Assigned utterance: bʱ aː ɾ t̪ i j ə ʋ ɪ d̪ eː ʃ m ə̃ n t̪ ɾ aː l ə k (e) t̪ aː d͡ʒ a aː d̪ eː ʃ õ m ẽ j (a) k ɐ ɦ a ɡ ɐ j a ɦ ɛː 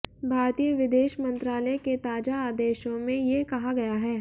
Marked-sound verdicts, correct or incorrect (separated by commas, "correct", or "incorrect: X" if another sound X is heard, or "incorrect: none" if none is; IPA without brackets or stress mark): correct, incorrect: e